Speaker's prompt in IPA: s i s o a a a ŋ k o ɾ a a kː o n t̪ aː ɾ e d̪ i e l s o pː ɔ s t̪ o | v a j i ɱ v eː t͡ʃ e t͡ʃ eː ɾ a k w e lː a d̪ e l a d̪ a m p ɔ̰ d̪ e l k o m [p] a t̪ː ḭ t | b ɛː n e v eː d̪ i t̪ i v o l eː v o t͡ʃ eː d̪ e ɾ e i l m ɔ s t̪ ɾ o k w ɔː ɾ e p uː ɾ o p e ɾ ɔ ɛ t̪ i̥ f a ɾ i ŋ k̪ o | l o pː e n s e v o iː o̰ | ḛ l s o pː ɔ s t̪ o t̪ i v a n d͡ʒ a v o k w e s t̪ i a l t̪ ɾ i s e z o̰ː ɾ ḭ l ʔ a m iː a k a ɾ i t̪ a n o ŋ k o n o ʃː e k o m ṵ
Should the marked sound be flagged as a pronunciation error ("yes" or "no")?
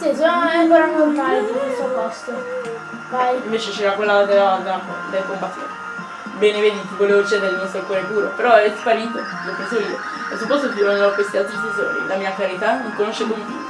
no